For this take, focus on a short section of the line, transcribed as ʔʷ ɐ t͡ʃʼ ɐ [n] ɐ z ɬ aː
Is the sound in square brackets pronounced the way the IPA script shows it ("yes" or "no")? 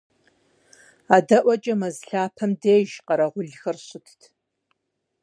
no